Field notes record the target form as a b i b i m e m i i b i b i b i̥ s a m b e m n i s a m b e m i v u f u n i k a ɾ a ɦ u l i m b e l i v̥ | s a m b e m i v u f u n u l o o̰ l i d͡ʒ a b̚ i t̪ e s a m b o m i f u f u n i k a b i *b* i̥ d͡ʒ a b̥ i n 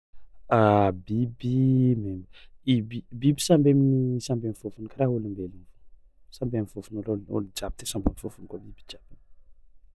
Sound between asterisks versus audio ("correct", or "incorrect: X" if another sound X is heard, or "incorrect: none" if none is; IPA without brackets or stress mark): correct